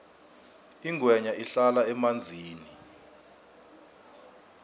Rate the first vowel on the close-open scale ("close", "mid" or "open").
close